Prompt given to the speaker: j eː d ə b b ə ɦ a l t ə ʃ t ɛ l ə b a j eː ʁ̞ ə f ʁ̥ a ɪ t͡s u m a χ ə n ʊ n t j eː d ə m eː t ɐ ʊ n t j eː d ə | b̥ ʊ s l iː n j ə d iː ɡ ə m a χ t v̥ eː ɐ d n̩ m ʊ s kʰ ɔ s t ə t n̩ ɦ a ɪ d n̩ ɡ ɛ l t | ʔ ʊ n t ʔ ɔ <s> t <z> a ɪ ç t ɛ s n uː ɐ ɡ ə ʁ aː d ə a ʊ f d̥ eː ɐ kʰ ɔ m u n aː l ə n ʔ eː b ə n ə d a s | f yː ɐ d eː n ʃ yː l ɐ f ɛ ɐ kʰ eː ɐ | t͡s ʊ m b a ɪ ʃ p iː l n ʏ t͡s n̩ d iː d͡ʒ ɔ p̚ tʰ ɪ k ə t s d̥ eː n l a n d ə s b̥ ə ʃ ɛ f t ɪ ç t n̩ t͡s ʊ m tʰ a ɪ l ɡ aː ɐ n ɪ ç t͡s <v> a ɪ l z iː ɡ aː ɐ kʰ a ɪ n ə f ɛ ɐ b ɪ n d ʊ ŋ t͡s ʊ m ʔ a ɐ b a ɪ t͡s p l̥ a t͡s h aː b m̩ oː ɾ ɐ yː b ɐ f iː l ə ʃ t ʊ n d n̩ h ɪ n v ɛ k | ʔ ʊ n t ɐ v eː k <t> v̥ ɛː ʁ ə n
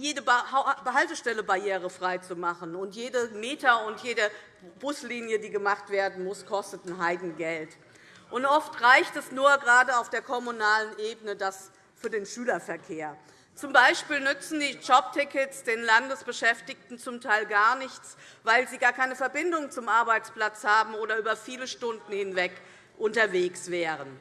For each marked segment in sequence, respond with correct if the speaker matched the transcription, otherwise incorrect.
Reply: incorrect: f, incorrect: ʁ, correct, incorrect: s

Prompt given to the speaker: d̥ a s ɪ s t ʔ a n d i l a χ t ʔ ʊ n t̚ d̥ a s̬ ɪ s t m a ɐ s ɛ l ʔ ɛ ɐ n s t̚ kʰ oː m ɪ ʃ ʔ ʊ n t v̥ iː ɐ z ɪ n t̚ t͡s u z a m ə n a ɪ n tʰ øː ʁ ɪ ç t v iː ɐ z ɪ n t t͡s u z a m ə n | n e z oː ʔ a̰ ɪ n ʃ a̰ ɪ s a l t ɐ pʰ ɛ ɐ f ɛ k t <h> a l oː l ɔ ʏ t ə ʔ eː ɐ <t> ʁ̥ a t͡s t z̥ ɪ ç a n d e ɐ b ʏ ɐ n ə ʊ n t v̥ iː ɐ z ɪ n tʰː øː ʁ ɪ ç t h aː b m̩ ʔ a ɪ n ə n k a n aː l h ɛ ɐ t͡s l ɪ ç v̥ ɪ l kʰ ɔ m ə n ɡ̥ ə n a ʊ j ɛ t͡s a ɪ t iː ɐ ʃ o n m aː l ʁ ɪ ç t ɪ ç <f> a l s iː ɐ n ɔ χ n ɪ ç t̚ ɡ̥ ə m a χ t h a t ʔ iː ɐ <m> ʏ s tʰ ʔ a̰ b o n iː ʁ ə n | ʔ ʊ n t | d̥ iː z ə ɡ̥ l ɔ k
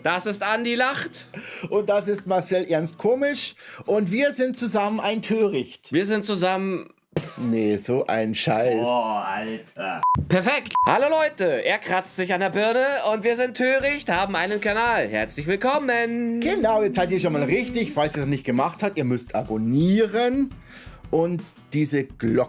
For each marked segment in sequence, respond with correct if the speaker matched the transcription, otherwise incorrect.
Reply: correct, incorrect: k, correct, correct

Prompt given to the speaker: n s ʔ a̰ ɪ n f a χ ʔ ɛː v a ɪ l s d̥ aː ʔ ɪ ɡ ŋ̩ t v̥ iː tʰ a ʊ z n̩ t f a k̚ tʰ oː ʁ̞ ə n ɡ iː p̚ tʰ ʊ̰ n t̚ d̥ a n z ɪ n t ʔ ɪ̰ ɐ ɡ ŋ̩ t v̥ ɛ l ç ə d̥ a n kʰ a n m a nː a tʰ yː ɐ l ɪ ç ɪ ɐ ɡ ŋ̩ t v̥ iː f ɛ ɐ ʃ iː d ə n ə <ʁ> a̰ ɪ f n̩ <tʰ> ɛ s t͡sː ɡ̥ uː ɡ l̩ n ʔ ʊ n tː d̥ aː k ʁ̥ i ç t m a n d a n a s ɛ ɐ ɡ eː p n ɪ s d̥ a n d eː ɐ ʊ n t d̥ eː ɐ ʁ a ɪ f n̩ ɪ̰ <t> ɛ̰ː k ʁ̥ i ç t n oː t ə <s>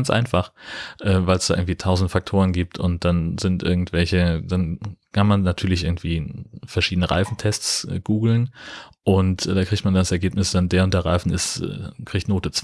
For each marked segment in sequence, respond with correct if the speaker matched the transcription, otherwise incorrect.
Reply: correct, correct, incorrect: s, incorrect: t͡s

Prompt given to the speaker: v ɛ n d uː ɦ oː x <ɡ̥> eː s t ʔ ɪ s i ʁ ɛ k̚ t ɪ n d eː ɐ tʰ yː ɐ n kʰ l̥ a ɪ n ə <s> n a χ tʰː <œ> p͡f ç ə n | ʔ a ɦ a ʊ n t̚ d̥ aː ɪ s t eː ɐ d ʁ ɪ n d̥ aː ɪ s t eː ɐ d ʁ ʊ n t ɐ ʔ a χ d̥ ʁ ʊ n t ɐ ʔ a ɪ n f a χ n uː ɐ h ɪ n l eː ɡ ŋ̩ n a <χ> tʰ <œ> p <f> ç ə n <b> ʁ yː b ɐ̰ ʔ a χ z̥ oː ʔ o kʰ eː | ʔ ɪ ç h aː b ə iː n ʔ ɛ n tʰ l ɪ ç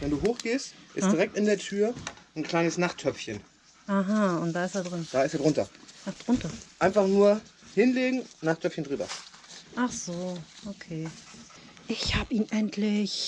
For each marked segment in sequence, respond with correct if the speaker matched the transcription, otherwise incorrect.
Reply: correct, correct, correct, correct, correct, correct, incorrect: d

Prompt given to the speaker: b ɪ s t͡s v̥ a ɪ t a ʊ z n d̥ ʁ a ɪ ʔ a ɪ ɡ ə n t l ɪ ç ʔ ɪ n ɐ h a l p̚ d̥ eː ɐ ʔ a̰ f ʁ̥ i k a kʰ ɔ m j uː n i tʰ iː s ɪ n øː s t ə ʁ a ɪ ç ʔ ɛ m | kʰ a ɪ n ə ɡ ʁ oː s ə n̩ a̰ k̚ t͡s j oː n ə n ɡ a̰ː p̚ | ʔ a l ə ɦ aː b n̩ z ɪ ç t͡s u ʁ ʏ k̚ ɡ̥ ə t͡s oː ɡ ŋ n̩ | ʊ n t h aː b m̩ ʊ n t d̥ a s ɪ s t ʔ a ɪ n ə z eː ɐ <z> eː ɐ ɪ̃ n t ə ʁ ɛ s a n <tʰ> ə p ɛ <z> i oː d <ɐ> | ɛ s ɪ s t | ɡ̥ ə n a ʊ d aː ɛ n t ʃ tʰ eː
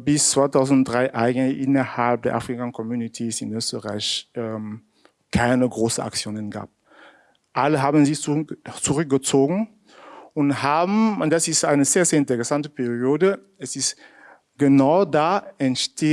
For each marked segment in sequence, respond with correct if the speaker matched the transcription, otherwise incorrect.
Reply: correct, incorrect: t, incorrect: ʁ, incorrect: ə

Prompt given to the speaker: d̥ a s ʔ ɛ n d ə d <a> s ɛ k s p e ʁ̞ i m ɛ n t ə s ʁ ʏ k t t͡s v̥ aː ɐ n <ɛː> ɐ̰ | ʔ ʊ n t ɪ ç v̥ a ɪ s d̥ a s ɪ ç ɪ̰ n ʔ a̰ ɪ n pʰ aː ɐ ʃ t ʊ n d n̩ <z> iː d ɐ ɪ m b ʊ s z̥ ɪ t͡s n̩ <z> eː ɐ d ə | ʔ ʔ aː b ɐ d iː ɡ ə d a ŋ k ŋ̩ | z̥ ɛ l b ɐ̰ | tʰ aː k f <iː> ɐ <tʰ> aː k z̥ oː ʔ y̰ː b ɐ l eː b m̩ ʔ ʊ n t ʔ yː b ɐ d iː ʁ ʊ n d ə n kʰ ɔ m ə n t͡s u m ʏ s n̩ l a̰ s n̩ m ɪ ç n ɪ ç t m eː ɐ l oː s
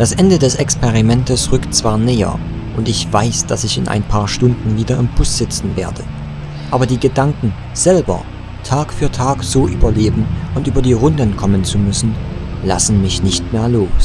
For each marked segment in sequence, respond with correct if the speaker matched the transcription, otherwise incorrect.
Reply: incorrect: ɛ, correct, incorrect: v, incorrect: v, incorrect: yː, correct

